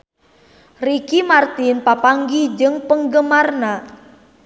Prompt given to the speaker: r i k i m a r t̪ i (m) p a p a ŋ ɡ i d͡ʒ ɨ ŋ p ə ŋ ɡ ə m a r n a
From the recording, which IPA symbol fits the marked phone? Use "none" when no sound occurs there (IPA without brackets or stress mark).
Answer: n